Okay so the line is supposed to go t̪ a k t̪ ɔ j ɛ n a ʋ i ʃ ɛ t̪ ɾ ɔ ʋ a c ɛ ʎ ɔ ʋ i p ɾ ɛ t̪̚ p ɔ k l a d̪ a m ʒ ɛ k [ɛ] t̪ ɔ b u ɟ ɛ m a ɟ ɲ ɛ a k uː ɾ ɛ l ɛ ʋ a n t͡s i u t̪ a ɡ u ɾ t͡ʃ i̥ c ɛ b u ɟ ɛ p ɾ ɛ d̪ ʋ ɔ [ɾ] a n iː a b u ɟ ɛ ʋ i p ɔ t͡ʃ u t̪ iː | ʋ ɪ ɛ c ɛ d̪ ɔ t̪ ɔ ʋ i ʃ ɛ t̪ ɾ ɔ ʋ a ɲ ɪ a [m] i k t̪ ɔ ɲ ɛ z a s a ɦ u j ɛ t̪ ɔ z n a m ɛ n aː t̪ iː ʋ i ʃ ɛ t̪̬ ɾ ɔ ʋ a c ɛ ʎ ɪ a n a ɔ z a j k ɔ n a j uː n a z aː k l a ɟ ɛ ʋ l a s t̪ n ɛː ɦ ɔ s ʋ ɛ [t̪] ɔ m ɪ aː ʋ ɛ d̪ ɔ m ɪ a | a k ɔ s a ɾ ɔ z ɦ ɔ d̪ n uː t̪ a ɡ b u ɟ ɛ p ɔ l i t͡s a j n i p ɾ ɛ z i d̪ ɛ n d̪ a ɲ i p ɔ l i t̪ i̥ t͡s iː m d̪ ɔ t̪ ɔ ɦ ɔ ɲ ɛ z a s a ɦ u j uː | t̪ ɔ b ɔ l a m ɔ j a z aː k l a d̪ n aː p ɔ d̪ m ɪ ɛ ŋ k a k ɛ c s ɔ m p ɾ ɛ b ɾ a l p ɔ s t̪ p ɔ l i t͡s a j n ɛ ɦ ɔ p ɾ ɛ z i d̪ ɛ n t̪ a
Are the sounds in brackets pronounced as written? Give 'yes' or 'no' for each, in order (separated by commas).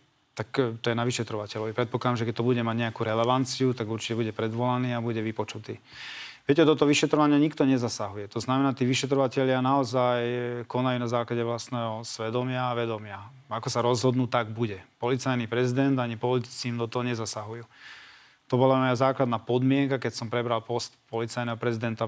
yes, no, no, no